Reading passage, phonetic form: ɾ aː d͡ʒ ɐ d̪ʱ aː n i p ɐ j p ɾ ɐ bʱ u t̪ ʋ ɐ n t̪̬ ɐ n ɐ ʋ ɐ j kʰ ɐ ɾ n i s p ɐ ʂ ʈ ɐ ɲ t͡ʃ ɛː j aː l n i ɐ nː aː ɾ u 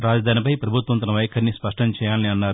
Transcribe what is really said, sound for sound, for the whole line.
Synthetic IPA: ɾ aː d͡ʒ ɐ d̪ʱ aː n i p ɐ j p ɾ ɐ bʱ u t̪ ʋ ɐ n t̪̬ ɐ n ɐ ʋ ɐ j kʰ ɐ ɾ n i s p ɐ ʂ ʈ ɐ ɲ t͡ʃ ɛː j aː l n i ɐ nː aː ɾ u